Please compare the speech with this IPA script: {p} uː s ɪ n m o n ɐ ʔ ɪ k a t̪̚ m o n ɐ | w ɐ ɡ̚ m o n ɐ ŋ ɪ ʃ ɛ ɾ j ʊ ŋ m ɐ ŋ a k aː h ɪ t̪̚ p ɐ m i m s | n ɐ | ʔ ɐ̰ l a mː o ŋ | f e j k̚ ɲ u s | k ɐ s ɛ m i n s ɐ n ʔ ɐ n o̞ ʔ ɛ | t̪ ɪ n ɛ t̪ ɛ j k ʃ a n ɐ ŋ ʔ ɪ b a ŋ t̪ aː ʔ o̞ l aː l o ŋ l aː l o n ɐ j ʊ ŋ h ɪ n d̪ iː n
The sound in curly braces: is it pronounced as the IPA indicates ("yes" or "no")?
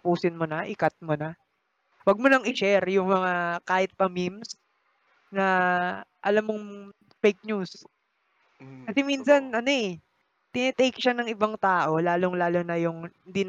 yes